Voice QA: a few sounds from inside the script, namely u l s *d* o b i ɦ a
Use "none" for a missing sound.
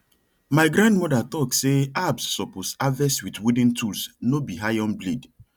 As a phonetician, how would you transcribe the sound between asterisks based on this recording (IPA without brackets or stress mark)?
n